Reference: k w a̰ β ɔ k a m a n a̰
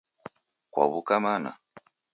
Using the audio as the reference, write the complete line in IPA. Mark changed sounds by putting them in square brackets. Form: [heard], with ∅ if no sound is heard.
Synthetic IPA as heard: k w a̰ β [u] k a m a n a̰